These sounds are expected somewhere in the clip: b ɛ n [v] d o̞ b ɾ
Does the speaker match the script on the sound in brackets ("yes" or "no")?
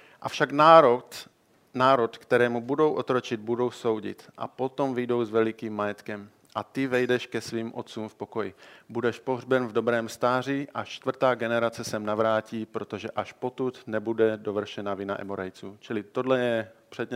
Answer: yes